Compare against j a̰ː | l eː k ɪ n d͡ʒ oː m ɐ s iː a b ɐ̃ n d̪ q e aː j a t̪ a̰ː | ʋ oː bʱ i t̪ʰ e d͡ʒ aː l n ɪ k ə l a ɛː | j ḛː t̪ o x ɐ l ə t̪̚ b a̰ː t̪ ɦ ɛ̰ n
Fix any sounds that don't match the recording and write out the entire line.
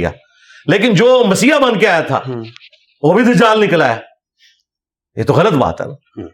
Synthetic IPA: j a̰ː | l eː k ɪ n d͡ʒ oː m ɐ s iː a b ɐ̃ n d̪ k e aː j a t̪ʰ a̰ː | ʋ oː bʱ i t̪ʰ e d͡ʒ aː l n ɪ k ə l a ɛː | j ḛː t̪ o ɣ ɐ l ə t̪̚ b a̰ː t̪ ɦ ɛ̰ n